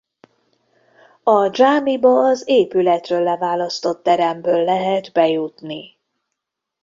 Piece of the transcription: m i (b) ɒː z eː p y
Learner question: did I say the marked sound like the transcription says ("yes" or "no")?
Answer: yes